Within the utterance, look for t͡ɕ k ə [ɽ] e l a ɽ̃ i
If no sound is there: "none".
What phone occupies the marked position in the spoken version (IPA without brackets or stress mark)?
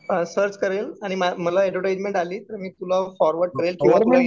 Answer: ɾ